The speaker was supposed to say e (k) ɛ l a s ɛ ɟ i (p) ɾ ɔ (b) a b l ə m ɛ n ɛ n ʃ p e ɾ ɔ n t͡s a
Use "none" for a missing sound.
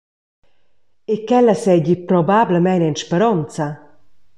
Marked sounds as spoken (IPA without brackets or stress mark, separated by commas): k, p, b